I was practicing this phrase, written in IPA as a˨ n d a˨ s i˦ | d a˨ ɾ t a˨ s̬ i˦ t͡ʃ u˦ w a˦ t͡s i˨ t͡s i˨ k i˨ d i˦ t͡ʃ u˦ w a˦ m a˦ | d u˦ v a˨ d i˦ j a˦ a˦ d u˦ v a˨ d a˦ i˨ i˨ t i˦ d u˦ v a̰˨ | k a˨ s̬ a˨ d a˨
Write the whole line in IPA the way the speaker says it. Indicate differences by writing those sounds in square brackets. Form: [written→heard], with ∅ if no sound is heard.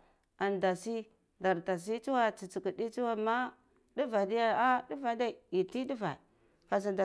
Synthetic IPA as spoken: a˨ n d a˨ s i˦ | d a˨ ɾ t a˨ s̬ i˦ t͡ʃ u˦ w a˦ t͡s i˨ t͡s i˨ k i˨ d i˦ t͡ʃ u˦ w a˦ m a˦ | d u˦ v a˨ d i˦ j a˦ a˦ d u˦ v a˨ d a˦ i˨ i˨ t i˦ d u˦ v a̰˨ | k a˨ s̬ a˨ d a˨